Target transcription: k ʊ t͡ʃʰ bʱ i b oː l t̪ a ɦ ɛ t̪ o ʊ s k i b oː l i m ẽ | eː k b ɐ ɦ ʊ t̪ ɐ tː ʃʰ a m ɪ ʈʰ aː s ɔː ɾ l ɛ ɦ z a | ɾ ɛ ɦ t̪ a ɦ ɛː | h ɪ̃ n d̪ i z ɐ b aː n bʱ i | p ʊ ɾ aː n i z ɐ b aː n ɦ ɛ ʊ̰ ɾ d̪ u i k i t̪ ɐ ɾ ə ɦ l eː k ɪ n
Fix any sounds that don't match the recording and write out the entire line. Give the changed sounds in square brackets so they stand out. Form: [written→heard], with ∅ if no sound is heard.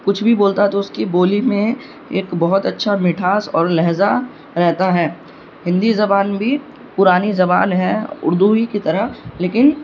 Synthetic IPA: k ʊ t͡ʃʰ bʱ i b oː l t̪ a ɦ ɛ t̪ o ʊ s k i b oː l i m ẽ | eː k b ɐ ɦ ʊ t̪ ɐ tː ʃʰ a m ɪ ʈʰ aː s ɔː ɾ l ɛ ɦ z a | ɾ ɛ ɦ t̪ a ɦ ɛː | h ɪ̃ n d̪ i z ɐ b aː n bʱ i | p ʊ ɾ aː n i z ɐ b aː n ɦ ɛ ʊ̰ ɾ d̪ u i k i t̪ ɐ ɾ ə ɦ l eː k ɪ n

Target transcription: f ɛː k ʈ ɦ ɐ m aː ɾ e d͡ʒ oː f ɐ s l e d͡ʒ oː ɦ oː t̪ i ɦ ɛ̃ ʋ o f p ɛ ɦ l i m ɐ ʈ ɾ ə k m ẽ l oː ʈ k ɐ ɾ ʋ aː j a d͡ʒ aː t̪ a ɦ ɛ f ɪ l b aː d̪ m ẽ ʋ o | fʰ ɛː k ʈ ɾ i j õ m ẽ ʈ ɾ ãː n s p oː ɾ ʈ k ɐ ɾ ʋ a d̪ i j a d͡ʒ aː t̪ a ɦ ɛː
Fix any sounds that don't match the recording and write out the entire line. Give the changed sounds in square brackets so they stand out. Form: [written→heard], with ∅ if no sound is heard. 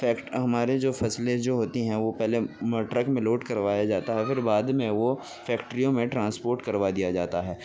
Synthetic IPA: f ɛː k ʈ ɦ ɐ m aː ɾ e d͡ʒ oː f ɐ s l e d͡ʒ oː ɦ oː t̪ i ɦ ɛ̃ ʋ o [f→∅] p ɛ ɦ l [i→e] m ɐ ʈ ɾ ə k m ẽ l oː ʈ k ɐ ɾ ʋ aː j a d͡ʒ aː t̪ a ɦ ɛ f ɪ [l→ɾ] b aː d̪ m ẽ ʋ o | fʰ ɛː k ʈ ɾ i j õ m ẽ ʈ ɾ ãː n s p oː ɾ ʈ k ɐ ɾ ʋ a d̪ i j a d͡ʒ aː t̪ a ɦ ɛː

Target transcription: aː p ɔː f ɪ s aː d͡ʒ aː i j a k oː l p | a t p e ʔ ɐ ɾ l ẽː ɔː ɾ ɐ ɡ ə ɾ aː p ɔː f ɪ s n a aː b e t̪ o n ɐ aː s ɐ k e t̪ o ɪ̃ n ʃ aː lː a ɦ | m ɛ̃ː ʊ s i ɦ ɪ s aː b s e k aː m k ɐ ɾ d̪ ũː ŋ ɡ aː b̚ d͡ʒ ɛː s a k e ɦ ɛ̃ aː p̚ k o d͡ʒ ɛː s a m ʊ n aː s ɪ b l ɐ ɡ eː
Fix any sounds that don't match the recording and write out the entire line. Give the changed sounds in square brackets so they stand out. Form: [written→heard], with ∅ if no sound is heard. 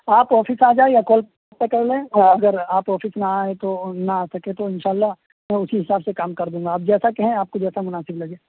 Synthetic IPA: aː p ɔː f ɪ s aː d͡ʒ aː [i→e] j a k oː l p | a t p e [ʔ→k] ɐ ɾ l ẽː ɔː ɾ ɐ ɡ ə ɾ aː p ɔː f ɪ s n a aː [b→∅] e t̪ o n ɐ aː s ɐ k e t̪ o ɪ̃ n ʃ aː lː a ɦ | m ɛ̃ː ʊ s i ɦ ɪ s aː b s e k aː m k ɐ ɾ d̪ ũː ŋ ɡ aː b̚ d͡ʒ ɛː s a k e ɦ ɛ̃ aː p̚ k o d͡ʒ ɛː s a m ʊ n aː s ɪ b l ɐ ɡ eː

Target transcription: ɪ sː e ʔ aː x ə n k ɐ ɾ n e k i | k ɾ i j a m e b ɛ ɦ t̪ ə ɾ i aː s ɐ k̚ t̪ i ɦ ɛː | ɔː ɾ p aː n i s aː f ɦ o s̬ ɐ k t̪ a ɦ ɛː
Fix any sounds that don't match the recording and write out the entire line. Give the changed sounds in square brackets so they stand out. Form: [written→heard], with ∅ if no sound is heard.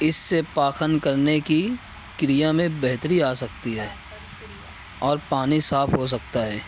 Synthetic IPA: ɪ sː e [ʔ→p] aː x ə n k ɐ ɾ n e k i | k ɾ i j a m [e→ẽ] b ɛ ɦ t̪ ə ɾ i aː s ɐ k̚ t̪ i ɦ ɛː | ɔː ɾ p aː n i s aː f ɦ o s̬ ɐ k t̪ a ɦ ɛː

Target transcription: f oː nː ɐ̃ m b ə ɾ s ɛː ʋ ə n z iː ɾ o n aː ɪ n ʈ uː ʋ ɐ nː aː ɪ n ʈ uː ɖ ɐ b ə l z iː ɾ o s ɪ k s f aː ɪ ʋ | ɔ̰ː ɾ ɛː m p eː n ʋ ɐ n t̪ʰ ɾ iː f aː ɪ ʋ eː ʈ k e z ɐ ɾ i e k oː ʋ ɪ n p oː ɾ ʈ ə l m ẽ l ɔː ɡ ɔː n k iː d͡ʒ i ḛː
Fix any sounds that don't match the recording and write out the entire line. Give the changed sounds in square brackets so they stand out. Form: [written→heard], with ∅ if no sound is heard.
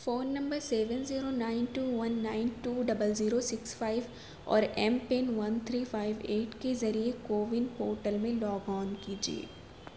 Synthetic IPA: f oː nː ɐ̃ m b ə ɾ s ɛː ʋ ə n z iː ɾ o n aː ɪ n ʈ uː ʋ ɐ nː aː ɪ n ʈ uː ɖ ɐ b ə l z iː ɾ o s ɪ k s f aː ɪ ʋ | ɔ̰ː ɾ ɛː m p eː n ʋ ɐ n t̪ʰ ɾ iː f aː ɪ ʋ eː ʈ k e z ɐ ɾ i e k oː ʋ ɪ n p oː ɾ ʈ ə l m ẽ l ɔː ɡ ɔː n k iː d͡ʒ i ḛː

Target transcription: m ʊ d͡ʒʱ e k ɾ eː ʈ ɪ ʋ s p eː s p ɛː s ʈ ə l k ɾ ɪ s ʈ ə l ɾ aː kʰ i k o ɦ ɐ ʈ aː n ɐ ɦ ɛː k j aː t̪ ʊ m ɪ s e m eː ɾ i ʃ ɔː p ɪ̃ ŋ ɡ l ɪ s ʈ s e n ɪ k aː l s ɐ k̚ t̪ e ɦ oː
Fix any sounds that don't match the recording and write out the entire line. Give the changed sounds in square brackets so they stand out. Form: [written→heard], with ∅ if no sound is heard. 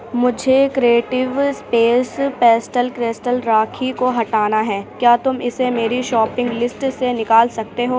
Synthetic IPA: m ʊ d͡ʒʱ e k ɾ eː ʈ ɪ ʋ s p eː s p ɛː s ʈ ə l k ɾ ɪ s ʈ ə l ɾ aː kʰ i k o ɦ ɐ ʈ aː n [ɐ→a] ɦ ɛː k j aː t̪ ʊ m ɪ s e m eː ɾ i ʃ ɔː p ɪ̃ ŋ ɡ l ɪ s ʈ s e n ɪ k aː l s ɐ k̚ t̪ e ɦ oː

